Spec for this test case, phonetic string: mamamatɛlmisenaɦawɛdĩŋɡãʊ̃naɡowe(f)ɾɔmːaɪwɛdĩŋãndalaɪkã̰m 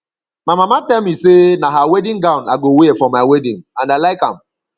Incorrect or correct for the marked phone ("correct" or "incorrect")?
correct